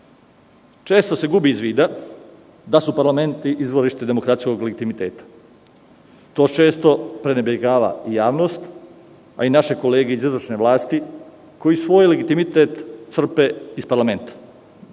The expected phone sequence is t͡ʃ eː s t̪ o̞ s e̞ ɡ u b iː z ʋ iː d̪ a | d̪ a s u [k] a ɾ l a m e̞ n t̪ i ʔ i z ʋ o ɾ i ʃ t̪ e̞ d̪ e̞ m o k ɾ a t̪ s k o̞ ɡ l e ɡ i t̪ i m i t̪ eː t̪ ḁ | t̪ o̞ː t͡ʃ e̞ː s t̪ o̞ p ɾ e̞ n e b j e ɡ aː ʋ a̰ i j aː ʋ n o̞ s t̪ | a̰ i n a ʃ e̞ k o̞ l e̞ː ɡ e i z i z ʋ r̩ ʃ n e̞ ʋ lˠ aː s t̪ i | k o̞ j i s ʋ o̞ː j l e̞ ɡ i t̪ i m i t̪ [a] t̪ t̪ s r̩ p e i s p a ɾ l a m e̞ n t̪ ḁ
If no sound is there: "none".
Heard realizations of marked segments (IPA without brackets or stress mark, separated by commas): p, e